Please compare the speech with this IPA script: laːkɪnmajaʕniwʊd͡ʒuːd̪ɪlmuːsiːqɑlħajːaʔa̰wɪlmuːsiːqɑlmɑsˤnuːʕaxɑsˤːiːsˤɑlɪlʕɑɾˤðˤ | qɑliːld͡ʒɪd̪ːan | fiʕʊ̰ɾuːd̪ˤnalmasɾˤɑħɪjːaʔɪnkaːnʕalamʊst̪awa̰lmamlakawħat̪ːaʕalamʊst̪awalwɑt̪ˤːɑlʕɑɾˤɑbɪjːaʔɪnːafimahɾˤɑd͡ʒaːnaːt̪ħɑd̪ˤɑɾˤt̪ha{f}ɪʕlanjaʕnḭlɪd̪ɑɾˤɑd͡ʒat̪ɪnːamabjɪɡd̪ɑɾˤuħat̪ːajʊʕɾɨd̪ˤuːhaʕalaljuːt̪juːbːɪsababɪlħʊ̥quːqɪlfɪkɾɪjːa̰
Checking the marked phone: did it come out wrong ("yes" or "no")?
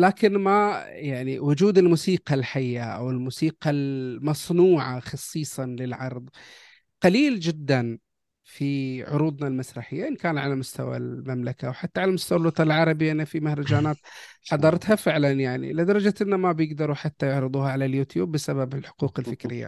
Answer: no